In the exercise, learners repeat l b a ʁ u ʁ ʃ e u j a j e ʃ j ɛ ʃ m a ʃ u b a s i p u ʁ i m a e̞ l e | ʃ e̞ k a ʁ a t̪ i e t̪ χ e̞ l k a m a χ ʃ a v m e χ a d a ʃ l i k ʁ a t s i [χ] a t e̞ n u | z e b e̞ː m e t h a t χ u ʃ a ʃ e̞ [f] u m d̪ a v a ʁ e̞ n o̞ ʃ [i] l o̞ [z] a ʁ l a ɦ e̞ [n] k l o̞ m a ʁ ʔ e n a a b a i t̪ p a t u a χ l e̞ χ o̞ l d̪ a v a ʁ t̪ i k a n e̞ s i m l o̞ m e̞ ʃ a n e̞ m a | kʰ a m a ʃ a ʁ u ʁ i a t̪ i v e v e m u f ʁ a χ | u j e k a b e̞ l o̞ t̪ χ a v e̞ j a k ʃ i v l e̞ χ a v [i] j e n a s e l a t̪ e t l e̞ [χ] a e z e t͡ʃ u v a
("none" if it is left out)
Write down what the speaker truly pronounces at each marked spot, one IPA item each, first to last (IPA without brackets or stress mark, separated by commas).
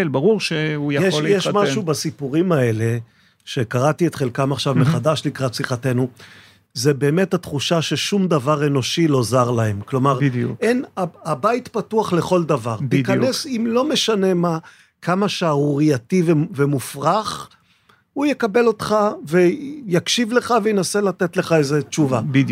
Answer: χ, ʃ, i, z, m, e, χ